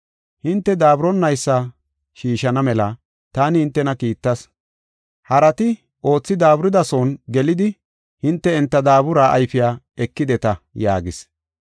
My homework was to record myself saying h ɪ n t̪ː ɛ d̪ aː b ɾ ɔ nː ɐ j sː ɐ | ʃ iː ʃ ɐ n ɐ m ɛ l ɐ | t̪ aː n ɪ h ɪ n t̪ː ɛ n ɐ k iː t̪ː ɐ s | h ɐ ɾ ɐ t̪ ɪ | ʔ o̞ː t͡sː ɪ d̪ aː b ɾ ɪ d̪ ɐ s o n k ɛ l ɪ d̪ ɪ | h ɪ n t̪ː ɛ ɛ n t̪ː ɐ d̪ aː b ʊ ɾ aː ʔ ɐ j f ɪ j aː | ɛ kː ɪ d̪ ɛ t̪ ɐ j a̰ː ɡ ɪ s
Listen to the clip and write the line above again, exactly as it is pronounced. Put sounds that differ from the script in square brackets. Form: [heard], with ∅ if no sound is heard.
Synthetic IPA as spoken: h ɪ n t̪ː ɛ d̪ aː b ɾ ɔ nː ɐ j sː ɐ | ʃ iː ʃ ɐ n ɐ m ɛ l ɐ | t̪ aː n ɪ h ɪ n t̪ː ɛ n ɐ k iː t̪ː ɐ s | h ɐ ɾ ɐ t̪ ɪ | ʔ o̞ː t͡sː ɪ d̪ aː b ɾ ɪ d̪ ɐ s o n [ɡ] ɛ l ɪ d̪ ɪ | h ɪ n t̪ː ɛ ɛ n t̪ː ɐ d̪ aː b ʊ ɾ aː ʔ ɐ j f ɪ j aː | ɛ kː ɪ d̪ ɛ t̪ ɐ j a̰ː ɡ ɪ s